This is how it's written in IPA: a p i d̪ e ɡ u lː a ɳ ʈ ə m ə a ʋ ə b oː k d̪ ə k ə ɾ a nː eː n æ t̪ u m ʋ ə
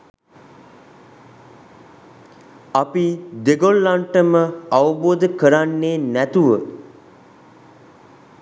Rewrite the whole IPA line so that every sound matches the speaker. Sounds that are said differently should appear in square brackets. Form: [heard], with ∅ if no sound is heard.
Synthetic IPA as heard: a p i d̪ e ɡ [o] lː a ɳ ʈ ə m ə a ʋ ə b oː [∅] d̪ ə k ə ɾ a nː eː n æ t̪ u [∅] ʋ ə